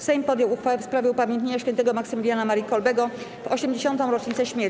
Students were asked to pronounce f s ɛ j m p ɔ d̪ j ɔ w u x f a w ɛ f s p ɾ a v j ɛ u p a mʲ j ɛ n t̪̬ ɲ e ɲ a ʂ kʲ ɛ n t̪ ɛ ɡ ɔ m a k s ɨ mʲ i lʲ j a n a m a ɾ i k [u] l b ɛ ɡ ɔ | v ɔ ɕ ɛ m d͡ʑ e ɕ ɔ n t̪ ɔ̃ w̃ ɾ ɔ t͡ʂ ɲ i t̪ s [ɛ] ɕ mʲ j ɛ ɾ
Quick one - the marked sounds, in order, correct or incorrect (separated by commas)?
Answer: incorrect, correct